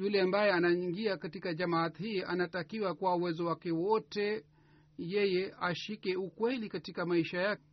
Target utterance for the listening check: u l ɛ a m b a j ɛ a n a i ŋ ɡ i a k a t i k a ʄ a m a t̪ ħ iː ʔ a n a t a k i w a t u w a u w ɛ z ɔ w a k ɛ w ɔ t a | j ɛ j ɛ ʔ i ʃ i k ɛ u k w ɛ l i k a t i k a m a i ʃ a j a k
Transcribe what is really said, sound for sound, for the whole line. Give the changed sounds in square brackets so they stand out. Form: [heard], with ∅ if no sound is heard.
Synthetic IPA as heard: u l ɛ a m b a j ɛ a n a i ŋ ɡ i a k a t i k a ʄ a m a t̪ [h] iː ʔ a n a t a k i w a [k] u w a u w ɛ z ɔ w a k ɛ w ɔ t [ɛ] | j ɛ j ɛ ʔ [a] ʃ i k ɛ u k w ɛ l i k a t i k a m a i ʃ a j a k